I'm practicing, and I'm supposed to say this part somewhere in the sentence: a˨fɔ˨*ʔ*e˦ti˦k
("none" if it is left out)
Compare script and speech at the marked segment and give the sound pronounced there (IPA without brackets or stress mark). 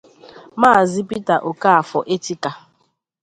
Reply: ʔ